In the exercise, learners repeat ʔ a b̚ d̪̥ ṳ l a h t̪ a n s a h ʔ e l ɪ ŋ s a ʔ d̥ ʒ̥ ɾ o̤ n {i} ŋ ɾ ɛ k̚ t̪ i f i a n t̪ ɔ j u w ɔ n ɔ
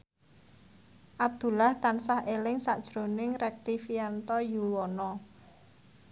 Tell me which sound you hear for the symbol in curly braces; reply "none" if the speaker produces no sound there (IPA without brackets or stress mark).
ɪ